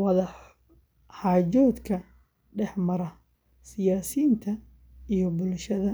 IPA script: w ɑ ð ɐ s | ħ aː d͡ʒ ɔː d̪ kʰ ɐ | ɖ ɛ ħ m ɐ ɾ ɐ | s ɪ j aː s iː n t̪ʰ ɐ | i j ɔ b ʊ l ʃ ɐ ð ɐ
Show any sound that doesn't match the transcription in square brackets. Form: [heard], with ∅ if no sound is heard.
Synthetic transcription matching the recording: w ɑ ð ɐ [ħ] | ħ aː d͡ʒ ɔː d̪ kʰ ɐ | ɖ ɛ ħ m ɐ ɾ ɐ | s ɪ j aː s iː n t̪ʰ ɐ | i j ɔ b ʊ l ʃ ɐ ð ɐ